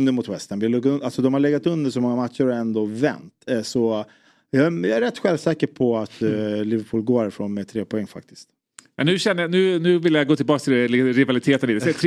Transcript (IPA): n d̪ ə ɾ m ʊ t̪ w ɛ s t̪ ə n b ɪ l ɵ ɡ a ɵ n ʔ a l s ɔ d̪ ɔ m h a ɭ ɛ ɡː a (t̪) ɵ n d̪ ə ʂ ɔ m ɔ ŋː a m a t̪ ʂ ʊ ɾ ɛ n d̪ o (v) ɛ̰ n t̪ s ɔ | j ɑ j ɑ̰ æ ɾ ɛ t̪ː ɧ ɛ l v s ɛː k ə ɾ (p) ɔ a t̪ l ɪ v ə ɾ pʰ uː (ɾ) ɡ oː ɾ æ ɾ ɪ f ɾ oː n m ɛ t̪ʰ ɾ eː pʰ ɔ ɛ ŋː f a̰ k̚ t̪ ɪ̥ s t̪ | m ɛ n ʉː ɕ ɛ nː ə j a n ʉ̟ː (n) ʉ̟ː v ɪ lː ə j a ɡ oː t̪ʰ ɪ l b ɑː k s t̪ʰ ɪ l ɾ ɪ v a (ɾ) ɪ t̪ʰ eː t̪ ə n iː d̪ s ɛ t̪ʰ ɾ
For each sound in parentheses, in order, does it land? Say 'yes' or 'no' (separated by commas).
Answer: yes, yes, no, no, yes, no